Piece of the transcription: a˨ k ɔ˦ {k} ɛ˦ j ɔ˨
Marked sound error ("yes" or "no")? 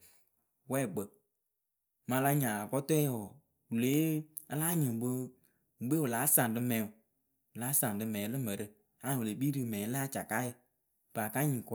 yes